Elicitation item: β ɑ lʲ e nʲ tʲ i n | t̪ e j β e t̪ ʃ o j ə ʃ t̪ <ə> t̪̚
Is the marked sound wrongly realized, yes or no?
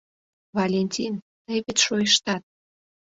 yes